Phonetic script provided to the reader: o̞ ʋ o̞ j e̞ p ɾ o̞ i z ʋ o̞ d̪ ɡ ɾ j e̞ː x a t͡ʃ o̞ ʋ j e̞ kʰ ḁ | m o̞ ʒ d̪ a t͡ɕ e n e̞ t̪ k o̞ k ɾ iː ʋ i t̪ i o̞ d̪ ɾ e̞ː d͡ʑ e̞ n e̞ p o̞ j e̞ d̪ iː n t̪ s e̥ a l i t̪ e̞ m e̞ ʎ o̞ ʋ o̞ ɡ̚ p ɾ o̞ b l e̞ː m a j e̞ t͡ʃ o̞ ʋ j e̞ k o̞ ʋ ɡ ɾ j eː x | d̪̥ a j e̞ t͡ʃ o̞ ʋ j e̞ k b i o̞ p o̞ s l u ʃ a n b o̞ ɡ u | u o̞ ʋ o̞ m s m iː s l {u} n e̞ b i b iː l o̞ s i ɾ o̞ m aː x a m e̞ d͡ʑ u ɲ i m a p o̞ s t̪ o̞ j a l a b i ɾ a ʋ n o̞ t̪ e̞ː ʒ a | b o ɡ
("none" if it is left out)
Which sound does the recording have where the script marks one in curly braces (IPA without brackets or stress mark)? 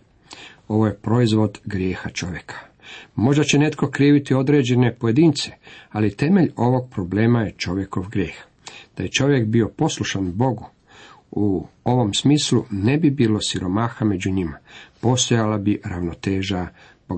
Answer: u